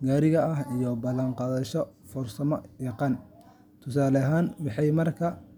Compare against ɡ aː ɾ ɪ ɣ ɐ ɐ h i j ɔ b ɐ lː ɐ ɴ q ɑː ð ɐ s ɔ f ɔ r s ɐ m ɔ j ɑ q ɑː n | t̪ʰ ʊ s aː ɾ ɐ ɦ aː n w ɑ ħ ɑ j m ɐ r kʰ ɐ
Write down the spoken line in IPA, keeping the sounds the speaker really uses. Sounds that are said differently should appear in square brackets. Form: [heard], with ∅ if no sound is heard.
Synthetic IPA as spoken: ɡ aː ɾ ɪ ɣ ɐ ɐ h i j ɔ b ɐ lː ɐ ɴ q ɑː ð ɐ [ʃ] ɔ f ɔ r s ɐ m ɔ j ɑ q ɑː n | t̪ʰ ʊ s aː [l] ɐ ɦ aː n w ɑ ħ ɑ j m ɐ r kʰ ɐ